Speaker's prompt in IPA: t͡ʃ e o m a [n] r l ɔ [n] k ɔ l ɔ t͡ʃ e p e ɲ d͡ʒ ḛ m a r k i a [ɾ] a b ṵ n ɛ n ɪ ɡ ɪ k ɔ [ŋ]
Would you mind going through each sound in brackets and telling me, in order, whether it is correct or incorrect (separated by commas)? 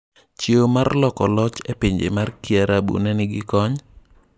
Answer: incorrect, incorrect, correct, incorrect